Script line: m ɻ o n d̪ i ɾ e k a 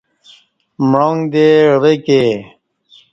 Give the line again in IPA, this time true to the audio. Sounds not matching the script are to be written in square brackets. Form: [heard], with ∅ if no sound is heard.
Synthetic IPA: m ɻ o [ŋ] d̪ [e] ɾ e k [e]